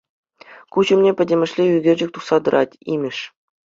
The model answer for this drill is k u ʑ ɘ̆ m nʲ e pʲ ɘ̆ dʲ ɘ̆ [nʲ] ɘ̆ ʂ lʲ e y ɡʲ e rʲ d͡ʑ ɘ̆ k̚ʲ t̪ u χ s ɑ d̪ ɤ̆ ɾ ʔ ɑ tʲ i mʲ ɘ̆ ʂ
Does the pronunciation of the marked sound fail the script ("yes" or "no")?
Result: yes